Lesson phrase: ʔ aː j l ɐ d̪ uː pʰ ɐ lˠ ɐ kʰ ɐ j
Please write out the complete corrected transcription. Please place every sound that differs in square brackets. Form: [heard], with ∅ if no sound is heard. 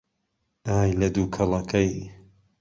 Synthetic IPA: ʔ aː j l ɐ d̪ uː [kʰ] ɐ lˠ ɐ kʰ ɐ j